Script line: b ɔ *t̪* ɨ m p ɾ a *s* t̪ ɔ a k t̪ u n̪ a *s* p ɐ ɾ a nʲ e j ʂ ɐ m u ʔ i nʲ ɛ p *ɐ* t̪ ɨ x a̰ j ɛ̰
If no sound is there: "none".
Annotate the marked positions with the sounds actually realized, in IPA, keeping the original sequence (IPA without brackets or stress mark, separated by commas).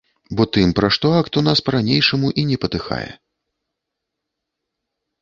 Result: t̪, ʂ, s, ɐ